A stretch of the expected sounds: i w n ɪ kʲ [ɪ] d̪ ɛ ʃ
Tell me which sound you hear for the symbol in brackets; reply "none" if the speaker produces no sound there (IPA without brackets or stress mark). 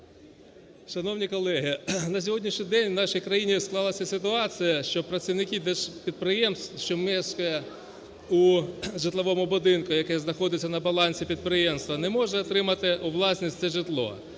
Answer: i